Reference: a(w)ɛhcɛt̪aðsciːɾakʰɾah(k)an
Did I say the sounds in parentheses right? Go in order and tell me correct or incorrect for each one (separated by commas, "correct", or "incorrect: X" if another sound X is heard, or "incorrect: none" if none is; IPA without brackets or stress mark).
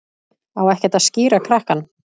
correct, correct